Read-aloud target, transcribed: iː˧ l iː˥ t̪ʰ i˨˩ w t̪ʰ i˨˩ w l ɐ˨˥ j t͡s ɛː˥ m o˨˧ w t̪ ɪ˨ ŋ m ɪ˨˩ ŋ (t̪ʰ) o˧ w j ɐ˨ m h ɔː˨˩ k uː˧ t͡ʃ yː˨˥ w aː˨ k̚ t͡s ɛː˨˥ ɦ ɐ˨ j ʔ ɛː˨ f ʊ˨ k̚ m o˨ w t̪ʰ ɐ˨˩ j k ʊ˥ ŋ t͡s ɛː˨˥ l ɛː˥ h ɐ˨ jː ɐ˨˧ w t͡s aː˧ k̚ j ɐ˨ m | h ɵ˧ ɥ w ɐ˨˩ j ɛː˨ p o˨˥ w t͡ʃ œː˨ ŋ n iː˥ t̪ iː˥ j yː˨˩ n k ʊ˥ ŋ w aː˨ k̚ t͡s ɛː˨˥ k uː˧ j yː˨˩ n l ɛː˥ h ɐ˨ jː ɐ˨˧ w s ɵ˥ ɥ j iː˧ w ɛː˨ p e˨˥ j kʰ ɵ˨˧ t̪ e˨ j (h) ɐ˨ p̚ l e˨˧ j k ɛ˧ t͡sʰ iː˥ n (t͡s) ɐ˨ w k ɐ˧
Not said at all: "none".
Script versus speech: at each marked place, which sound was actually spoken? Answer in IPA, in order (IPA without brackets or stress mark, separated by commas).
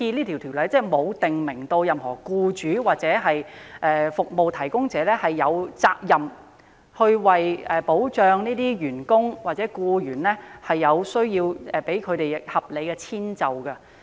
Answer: t̪, h, t͡s